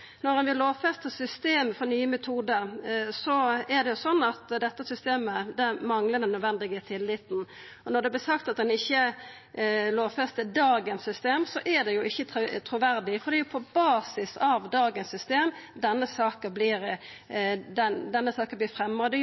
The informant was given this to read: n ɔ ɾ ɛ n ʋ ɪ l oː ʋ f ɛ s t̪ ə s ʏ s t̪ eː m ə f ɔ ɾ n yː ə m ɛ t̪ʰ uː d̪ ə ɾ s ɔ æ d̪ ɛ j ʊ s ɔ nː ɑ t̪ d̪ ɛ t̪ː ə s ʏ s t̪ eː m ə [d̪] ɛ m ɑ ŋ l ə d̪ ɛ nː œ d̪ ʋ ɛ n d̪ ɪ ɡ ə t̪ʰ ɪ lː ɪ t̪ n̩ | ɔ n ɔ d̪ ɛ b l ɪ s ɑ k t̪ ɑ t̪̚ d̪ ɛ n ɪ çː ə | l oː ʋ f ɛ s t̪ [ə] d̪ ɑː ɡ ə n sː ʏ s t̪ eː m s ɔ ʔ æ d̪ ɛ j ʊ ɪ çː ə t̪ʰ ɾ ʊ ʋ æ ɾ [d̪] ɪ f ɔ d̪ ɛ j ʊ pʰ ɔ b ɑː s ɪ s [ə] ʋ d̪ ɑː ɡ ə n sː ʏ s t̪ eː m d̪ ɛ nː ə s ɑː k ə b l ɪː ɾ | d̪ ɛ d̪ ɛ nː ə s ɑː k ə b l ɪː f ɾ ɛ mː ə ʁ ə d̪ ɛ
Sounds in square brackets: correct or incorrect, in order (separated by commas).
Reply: correct, correct, correct, incorrect